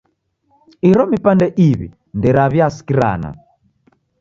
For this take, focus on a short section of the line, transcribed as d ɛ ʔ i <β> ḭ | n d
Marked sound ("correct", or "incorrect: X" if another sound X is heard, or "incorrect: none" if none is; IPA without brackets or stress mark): correct